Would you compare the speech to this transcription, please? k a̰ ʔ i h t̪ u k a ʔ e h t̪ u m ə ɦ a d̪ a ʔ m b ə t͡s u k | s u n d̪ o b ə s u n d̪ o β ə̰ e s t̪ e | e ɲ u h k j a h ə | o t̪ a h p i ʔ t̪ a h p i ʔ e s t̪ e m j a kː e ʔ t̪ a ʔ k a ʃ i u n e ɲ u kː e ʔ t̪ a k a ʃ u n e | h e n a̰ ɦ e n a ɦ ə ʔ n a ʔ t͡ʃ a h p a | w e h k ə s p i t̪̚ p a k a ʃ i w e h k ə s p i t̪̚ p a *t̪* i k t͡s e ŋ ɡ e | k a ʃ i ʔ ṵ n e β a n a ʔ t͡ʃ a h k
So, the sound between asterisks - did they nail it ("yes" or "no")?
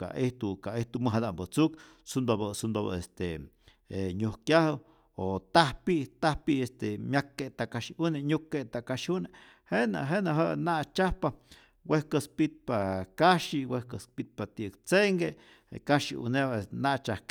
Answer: yes